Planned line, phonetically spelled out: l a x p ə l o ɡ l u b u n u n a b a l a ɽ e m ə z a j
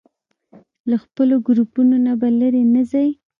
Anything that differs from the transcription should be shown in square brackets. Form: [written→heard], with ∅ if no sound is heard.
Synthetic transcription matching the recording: l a x p ə l o ɡ [l→ɾ] u [b→p] u n [u→o] n a b a l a [ɽ→ɾ] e [m→n] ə z a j